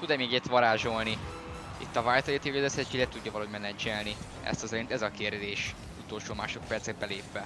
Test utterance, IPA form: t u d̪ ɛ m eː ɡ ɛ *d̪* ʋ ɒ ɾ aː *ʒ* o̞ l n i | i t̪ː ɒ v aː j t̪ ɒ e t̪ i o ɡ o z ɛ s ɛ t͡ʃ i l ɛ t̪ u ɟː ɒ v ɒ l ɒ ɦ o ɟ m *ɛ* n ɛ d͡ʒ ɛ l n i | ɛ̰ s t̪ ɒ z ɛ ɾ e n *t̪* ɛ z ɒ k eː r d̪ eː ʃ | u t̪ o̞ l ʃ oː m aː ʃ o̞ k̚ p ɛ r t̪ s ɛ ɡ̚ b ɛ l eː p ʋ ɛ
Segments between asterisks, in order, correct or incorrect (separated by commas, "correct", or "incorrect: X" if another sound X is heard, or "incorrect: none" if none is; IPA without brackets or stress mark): incorrect: t̪, correct, correct, correct